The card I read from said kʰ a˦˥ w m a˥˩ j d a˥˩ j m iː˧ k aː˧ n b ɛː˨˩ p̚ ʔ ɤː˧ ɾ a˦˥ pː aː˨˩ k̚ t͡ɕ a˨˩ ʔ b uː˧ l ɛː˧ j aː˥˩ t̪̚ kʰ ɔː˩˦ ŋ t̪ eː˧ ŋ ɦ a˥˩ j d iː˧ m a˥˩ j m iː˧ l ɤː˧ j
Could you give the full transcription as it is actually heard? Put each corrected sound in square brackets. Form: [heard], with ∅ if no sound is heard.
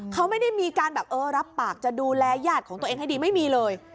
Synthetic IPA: kʰ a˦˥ w m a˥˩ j d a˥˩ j m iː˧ k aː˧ n b ɛː˨˩ p̚ ʔ ɤː˧ ɾ a˦˥ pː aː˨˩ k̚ t͡ɕ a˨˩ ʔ [d] uː˧ l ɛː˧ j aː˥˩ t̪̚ kʰ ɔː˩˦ ŋ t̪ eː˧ ŋ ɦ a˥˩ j d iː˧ m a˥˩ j m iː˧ l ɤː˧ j